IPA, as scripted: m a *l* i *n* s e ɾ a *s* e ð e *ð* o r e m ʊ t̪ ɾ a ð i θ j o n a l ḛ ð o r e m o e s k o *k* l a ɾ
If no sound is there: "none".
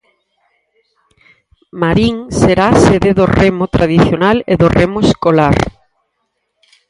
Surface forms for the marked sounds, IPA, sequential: ɾ, ŋ, s, ð, none

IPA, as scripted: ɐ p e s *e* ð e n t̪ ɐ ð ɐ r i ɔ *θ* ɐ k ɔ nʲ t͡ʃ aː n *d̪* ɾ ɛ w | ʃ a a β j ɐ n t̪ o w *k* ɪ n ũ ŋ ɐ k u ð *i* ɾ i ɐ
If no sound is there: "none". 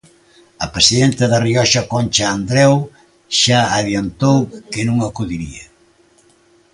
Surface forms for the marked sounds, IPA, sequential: i, ʃ, d̪, k, i

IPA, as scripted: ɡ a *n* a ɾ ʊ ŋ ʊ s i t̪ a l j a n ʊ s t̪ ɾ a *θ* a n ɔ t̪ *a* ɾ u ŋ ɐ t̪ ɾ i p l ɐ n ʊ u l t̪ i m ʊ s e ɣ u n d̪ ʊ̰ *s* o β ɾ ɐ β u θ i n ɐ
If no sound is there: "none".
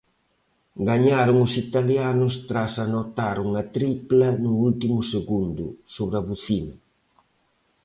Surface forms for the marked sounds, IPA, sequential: ɲ, s, a, s

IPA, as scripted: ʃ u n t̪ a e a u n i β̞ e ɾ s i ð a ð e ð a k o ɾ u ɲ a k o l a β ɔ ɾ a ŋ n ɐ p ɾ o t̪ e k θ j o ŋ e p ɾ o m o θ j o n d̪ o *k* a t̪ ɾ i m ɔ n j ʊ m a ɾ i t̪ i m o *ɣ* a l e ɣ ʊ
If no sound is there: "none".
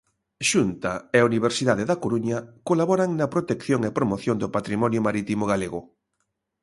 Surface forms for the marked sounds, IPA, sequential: p, ɣ

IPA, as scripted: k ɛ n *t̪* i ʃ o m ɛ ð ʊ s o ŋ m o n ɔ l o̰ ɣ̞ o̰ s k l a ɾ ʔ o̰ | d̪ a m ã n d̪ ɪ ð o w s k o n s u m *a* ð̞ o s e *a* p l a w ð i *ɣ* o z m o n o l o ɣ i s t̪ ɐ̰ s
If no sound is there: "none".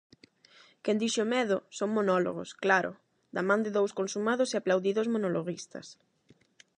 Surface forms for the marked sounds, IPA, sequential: d̪, a, a, ð

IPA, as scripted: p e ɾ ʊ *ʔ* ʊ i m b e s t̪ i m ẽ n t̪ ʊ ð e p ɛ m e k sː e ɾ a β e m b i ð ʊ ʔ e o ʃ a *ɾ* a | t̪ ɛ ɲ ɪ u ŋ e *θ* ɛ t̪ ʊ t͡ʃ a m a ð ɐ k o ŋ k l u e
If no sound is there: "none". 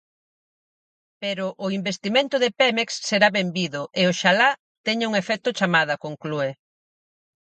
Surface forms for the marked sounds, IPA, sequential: ʔ, l, f

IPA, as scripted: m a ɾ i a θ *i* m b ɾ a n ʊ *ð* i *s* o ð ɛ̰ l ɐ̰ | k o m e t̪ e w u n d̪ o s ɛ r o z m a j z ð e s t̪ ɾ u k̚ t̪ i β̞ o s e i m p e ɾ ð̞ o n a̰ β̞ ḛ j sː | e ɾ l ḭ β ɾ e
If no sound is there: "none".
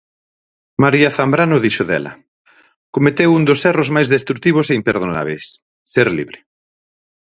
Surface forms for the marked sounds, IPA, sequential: a, ð, ʃ

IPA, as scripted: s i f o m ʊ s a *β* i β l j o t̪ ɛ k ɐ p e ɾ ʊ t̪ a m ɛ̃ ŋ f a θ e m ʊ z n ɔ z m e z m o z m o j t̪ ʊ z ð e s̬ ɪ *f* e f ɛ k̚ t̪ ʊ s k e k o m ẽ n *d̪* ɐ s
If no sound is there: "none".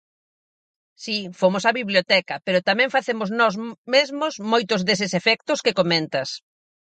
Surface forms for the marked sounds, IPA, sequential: β, s, t̪

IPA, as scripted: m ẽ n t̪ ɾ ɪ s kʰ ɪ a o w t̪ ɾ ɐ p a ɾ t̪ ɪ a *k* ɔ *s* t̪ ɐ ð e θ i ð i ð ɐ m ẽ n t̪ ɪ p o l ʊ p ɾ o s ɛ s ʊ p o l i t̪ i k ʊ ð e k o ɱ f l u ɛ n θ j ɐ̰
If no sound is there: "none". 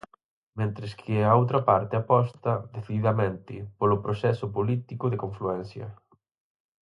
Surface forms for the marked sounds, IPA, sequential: p, s

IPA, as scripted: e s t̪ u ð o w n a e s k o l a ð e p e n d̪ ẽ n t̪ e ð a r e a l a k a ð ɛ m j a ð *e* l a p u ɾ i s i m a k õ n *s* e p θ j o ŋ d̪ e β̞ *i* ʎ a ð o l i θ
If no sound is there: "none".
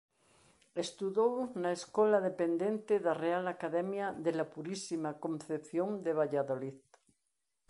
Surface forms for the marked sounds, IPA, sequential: e, θ, a

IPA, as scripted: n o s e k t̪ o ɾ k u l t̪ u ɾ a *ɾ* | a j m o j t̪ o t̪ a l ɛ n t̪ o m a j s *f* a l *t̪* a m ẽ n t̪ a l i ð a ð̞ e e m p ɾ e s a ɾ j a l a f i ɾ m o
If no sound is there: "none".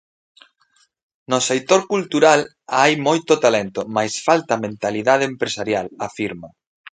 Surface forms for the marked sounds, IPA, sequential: l, f, t̪

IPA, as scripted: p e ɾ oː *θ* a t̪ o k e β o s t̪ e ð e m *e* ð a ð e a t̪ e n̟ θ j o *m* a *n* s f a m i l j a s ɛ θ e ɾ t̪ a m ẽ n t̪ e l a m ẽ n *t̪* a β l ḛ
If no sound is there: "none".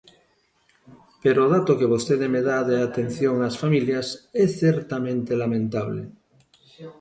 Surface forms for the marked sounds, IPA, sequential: ð, e, ŋ, none, t̪

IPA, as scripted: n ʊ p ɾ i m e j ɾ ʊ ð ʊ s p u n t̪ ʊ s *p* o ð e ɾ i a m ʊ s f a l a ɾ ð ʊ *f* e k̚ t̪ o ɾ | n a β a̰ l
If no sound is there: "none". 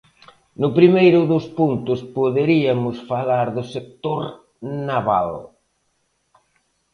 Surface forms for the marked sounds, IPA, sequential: p, s

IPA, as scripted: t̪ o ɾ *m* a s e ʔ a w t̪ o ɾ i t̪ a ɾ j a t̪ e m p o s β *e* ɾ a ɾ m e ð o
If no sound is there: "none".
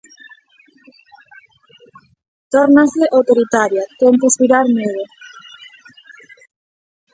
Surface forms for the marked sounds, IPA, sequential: n, i

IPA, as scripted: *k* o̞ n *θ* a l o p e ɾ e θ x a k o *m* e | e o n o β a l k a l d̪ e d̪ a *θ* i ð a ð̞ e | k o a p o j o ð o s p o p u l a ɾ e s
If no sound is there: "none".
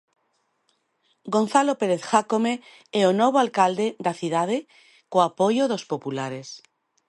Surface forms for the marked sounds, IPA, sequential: ɡ, θ, m, θ

